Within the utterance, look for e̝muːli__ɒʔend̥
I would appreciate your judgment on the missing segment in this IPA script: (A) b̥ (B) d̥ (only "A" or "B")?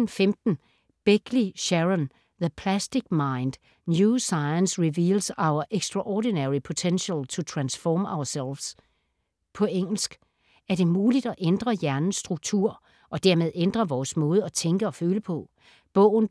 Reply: B